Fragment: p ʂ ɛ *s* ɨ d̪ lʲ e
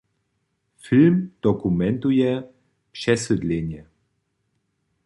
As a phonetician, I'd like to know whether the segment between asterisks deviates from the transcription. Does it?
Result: no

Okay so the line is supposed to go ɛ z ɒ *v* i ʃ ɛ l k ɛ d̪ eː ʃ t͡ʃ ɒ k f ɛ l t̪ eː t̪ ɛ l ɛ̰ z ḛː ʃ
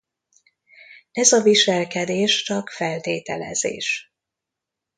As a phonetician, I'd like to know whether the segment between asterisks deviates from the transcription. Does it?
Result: no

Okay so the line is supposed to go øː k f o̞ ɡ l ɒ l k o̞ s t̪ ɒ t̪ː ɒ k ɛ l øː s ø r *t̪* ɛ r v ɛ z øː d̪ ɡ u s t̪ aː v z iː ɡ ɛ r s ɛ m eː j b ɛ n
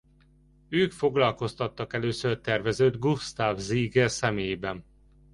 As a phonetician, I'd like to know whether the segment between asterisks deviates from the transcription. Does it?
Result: no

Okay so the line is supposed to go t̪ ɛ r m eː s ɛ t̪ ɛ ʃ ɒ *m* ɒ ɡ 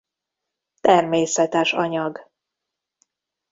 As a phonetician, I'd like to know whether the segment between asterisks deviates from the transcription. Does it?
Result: yes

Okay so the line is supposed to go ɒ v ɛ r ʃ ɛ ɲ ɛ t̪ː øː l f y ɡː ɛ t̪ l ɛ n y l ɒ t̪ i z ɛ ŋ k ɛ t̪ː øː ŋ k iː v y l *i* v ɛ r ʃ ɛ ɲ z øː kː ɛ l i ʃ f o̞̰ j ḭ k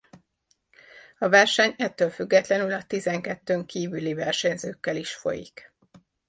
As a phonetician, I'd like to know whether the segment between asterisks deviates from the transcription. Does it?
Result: no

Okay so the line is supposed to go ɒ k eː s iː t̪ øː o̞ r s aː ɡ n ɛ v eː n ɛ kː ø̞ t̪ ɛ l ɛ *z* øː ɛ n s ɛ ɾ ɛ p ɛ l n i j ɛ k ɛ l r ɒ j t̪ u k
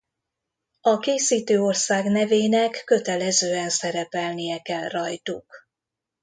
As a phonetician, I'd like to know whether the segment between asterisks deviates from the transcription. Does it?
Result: no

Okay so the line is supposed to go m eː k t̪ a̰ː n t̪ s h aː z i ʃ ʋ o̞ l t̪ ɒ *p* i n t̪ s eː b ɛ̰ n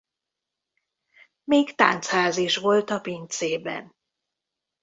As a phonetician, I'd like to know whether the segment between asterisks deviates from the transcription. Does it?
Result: no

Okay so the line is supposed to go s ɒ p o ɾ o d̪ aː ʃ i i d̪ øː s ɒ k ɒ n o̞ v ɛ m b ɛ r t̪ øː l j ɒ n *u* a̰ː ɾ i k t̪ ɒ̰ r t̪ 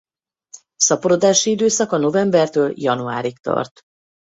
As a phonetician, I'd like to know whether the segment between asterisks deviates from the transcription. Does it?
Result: no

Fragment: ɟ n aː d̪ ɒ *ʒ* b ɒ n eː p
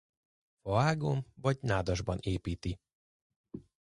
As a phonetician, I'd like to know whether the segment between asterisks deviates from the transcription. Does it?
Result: no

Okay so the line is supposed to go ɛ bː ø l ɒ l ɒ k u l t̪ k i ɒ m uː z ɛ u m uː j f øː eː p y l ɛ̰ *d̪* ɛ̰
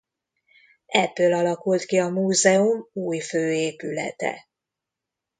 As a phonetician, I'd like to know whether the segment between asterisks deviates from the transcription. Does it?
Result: yes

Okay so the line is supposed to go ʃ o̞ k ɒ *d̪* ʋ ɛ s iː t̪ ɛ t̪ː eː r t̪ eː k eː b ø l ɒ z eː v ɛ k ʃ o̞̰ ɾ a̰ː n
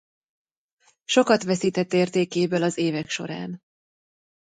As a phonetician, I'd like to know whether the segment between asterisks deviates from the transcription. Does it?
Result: yes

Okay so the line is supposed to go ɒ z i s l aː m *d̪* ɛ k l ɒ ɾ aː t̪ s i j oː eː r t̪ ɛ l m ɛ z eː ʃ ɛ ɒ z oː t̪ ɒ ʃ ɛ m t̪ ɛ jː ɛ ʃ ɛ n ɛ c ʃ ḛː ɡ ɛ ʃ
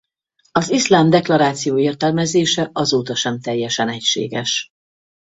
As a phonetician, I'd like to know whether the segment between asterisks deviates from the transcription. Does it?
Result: no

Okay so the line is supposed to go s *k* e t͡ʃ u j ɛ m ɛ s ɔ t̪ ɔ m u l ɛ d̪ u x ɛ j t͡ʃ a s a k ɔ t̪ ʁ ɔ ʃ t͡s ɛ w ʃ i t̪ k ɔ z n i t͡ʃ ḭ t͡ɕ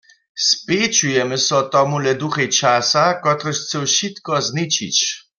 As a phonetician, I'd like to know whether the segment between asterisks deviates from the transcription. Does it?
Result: yes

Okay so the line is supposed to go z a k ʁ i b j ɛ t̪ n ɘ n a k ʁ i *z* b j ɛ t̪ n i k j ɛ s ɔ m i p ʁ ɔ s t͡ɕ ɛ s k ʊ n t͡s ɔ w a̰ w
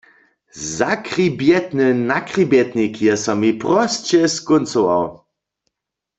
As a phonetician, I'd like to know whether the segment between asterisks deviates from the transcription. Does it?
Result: yes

